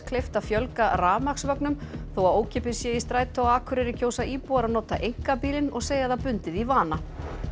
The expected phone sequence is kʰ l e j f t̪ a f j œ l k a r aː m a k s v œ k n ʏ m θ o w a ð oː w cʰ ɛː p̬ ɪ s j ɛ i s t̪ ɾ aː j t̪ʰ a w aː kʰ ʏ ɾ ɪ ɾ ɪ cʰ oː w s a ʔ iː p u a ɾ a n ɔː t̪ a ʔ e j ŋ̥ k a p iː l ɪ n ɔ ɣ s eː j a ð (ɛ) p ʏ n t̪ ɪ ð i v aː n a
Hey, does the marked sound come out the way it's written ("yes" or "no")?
no